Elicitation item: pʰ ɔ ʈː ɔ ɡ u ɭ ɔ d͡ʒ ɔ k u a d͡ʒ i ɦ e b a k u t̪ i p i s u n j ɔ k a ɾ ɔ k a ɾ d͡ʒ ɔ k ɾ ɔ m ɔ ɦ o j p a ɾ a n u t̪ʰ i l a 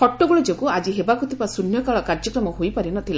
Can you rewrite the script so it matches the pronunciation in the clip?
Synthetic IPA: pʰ ɔ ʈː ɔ ɡ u ɭ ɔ d͡ʒ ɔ k u a d͡ʒ i ɦ e b a k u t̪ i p a s u n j ɔ k a ɭ ɔ k a ɾ d͡ʒ ɔ k ɾ ɔ m ɔ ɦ o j p a ɾ i n ɔ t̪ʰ i l a